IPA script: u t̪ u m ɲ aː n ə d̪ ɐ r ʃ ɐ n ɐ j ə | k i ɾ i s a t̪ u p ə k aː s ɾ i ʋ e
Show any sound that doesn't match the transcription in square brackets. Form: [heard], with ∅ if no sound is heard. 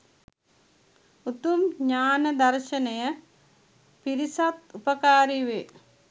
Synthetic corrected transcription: u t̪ u m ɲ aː n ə d̪ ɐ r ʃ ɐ n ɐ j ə | [p] i ɾ i s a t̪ u p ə k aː [∅] ɾ i ʋ e